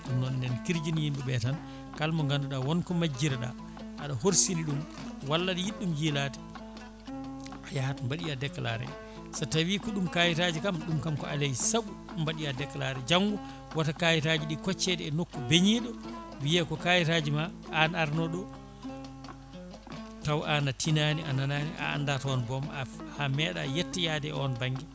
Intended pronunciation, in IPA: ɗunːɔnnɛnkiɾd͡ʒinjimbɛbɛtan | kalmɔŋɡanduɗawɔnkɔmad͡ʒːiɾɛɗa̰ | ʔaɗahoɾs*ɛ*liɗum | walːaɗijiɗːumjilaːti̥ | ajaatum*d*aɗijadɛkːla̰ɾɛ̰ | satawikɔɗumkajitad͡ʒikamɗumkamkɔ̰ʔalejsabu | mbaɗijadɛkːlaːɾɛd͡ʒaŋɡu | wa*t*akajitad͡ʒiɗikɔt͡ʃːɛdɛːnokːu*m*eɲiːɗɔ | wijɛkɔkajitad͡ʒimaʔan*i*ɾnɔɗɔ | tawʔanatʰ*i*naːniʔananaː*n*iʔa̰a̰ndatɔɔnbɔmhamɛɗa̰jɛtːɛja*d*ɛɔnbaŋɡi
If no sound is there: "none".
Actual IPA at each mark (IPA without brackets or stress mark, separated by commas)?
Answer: i, b, t, b, a, i, n, d